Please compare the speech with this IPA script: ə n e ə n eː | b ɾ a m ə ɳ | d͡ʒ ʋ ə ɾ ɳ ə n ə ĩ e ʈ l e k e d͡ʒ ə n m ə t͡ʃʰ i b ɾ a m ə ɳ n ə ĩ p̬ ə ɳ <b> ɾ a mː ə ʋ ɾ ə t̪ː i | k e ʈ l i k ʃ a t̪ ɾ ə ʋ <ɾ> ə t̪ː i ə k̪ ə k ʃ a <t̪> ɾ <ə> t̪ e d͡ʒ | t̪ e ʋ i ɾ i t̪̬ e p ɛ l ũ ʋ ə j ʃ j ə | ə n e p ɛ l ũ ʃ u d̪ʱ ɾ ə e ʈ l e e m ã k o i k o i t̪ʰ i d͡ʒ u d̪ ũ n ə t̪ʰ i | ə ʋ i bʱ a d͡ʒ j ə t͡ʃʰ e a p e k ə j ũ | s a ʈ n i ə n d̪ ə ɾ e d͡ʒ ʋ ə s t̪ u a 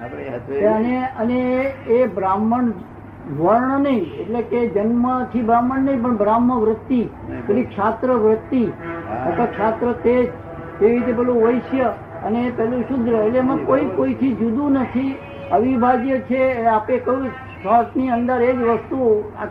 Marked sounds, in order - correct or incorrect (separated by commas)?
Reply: correct, correct, correct, correct